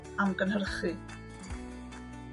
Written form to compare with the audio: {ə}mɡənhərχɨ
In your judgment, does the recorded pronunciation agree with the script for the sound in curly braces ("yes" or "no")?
no